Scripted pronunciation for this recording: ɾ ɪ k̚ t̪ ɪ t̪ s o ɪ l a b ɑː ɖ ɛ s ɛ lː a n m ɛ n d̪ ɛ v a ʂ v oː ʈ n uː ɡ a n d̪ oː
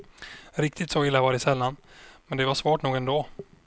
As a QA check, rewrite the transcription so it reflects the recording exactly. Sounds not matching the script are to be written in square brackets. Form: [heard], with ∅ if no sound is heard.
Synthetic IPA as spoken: ɾ ɪ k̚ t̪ ɪ t̪ s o ɪ [lː] a [v] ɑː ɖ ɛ s ɛ lː a n m ɛ n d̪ ɛ v a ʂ v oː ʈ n uː ɡ [ɛ] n d̪ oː